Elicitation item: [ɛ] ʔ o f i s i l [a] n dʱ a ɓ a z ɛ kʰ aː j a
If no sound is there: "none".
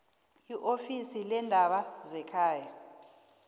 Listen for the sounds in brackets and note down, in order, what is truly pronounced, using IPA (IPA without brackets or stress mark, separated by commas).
i, ɛ